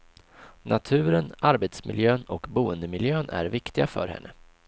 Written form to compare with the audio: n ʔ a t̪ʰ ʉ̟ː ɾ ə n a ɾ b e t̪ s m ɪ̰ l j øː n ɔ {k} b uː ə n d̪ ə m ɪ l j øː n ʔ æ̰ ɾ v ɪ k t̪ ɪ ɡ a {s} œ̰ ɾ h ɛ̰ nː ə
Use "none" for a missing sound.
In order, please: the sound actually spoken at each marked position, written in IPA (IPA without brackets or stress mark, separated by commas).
k, f